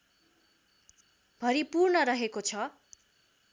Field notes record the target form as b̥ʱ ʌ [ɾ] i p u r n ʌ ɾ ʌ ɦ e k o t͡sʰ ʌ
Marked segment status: correct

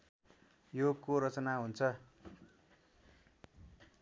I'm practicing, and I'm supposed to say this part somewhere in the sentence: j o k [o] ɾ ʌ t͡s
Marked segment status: correct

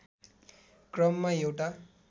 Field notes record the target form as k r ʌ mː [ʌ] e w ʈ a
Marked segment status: incorrect: a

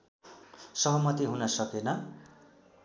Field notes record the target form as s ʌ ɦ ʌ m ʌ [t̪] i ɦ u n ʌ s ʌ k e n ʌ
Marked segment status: correct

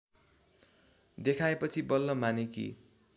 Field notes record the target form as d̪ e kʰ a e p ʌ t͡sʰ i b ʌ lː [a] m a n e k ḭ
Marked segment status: incorrect: ʌ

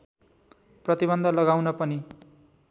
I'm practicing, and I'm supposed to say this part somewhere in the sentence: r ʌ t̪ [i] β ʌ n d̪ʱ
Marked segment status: correct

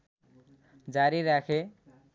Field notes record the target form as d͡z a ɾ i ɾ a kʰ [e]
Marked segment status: correct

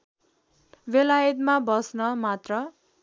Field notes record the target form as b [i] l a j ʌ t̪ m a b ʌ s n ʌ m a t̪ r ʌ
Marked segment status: incorrect: e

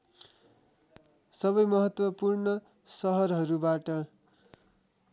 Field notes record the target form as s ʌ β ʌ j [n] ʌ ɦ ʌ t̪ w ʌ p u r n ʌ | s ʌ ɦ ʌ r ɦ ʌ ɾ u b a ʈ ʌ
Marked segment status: incorrect: m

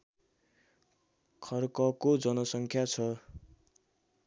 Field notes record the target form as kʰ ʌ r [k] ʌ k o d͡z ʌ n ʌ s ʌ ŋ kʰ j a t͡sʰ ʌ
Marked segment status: correct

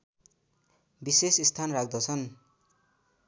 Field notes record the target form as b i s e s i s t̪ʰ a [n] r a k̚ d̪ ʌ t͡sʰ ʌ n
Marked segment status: correct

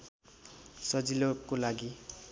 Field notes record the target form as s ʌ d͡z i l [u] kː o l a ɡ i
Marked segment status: incorrect: o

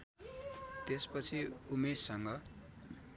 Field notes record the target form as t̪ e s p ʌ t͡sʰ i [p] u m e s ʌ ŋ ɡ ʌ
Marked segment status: incorrect: none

